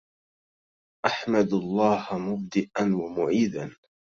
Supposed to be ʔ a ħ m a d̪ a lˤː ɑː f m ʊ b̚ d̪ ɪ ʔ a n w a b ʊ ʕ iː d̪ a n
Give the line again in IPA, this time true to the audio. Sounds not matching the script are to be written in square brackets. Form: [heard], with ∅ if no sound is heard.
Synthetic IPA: ʔ a ħ m a d̪ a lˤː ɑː [h] m ʊ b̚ d̪ ɪ ʔ a n w a [m] ʊ ʕ iː d̪ a n